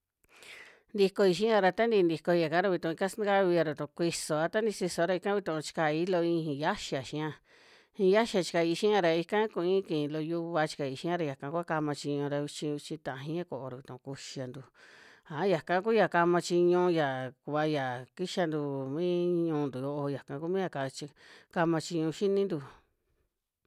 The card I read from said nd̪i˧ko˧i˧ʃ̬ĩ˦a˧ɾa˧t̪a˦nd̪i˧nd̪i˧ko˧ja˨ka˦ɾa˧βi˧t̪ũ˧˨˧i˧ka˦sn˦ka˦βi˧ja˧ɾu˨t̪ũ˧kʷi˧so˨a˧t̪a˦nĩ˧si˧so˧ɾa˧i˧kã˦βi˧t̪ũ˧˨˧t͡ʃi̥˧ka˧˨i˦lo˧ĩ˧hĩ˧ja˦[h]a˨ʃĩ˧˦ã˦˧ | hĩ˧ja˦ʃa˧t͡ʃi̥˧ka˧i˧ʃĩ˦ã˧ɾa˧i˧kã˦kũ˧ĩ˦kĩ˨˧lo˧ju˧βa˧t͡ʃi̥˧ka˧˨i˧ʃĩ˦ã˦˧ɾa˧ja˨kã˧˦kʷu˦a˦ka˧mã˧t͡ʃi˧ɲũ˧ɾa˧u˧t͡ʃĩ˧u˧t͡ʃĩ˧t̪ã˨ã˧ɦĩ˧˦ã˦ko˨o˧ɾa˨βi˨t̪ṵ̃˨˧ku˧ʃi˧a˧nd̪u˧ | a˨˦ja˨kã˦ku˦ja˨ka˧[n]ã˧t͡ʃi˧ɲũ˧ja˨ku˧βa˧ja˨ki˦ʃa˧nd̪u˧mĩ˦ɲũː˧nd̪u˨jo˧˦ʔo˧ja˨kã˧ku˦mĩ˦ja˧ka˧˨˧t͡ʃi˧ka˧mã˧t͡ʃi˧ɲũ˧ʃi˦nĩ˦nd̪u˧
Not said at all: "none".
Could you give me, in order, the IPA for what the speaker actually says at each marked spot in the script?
ʃ, m

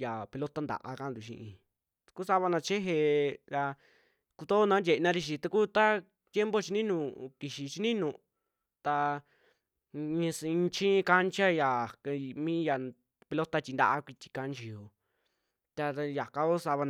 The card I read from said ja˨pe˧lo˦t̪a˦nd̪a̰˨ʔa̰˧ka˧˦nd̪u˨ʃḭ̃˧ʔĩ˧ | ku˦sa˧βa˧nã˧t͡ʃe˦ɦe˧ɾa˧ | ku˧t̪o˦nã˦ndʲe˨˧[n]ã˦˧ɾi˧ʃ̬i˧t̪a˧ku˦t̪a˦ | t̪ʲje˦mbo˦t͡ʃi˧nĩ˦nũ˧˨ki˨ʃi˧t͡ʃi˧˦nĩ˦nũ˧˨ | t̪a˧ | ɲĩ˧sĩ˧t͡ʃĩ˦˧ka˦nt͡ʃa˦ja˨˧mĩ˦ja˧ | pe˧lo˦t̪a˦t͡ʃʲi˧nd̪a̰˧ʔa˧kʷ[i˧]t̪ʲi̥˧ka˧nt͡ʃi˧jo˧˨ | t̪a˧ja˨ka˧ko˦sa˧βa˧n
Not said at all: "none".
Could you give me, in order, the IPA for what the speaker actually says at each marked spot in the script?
n, i˧

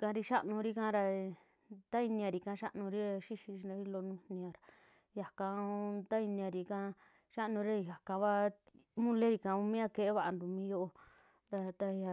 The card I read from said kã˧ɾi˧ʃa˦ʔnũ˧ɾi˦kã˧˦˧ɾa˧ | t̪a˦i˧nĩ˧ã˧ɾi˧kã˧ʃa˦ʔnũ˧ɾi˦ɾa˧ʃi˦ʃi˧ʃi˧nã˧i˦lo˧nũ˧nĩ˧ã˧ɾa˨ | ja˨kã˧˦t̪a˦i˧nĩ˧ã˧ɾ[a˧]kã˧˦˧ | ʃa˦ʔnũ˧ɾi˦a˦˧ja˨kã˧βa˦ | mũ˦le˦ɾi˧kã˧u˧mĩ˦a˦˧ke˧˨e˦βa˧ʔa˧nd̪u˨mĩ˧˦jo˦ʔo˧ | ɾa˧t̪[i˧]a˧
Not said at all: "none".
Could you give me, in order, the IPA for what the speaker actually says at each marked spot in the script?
i˧, a˧

